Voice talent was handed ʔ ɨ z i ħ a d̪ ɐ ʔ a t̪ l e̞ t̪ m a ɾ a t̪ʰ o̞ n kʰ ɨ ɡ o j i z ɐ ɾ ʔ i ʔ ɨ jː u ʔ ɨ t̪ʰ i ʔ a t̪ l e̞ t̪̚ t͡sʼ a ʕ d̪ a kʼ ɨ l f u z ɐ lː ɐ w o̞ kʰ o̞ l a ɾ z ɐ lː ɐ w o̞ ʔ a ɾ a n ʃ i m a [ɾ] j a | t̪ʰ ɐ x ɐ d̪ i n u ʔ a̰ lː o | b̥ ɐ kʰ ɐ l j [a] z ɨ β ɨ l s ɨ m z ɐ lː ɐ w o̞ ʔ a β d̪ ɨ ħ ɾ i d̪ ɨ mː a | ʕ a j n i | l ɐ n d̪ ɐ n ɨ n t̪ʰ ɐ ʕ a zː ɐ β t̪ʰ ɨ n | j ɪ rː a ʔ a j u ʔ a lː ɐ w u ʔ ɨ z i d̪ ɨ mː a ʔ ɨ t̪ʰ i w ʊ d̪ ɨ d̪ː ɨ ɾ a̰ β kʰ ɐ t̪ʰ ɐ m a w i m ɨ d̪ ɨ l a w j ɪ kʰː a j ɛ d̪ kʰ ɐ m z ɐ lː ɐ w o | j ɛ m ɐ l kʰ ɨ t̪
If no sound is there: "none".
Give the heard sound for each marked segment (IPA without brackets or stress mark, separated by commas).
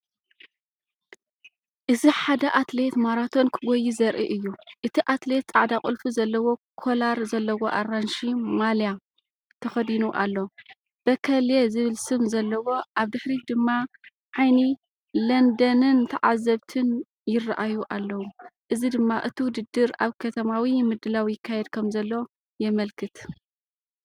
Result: l, e